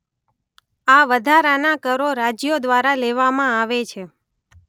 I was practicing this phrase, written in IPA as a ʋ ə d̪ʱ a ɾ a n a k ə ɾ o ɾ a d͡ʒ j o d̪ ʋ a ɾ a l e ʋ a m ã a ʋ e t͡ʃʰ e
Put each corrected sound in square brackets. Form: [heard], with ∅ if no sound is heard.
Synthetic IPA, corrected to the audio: a ʋ ə d̪ʱ a ɾ a n a k ə ɾ o ɾ a d͡ʒ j o d̪ ʋ a ɾ a l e ʋ a m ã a ʋ e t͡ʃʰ e